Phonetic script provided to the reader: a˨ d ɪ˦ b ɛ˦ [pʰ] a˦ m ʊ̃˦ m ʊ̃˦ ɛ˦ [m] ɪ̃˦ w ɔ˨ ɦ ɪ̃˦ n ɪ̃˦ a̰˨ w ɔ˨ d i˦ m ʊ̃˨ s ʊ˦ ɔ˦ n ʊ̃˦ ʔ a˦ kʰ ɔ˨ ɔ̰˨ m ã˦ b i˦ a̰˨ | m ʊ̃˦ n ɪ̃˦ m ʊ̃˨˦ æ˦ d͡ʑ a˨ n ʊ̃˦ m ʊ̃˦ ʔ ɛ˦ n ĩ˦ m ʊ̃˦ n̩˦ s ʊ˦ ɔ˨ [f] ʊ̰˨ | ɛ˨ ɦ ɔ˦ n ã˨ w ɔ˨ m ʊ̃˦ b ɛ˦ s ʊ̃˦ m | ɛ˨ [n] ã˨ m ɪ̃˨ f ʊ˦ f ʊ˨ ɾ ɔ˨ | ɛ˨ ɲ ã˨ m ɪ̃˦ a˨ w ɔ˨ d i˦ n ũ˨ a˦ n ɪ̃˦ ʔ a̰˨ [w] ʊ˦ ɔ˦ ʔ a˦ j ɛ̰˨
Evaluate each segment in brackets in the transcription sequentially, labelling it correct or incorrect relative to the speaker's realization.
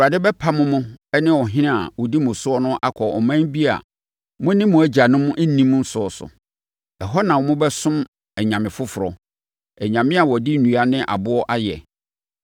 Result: correct, incorrect: n, incorrect: s, incorrect: ɲ, incorrect: b

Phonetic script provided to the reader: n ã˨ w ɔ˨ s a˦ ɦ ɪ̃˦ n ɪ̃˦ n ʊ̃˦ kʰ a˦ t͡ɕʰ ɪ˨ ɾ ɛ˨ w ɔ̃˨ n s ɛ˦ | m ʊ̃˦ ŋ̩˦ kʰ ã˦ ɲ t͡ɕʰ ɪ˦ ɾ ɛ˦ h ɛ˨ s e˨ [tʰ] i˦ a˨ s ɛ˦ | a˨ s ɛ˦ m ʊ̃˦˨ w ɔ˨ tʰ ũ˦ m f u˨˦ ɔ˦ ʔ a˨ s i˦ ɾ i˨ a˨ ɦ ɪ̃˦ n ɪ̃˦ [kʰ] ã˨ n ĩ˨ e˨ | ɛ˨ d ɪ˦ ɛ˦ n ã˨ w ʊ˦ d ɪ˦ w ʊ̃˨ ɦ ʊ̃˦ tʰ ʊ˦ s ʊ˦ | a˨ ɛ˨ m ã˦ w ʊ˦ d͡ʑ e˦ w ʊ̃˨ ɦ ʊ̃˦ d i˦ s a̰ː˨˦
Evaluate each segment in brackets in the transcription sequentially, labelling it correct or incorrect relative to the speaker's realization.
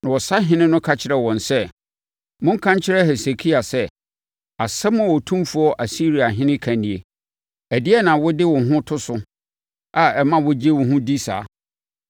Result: incorrect: kʰ, correct

